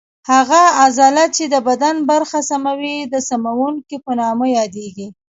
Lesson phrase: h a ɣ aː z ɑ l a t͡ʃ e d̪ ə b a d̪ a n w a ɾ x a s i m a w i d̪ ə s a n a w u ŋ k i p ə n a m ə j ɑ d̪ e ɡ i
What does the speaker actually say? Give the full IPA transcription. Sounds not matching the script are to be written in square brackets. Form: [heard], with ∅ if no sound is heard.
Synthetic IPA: h a ɣ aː z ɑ l a t͡ʃ e d̪ ə b a d̪ a n [b] a ɾ x a s [a] m a w i d̪ ə s a [m] a w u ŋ k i p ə n [ɑ] m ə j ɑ d̪ e ɡ i